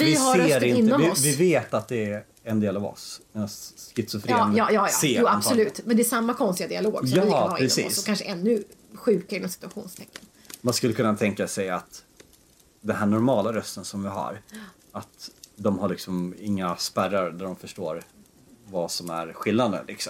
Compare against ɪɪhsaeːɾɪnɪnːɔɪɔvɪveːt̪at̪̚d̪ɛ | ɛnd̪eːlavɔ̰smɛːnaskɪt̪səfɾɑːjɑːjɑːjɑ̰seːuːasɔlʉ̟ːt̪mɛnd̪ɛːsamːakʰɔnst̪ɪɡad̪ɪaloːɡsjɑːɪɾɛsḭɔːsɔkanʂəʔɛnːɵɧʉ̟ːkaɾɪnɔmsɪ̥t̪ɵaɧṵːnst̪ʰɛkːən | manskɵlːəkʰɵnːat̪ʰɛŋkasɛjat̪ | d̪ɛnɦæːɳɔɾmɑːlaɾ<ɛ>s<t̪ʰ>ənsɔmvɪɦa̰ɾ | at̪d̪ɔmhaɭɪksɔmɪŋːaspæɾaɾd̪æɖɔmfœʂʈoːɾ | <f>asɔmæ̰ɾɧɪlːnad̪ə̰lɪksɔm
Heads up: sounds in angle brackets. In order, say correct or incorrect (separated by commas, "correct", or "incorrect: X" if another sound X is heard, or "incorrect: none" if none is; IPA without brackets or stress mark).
incorrect: œ, incorrect: t̪, incorrect: v